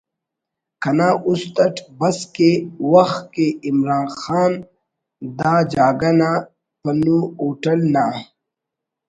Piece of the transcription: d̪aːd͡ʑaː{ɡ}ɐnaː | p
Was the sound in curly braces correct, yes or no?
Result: yes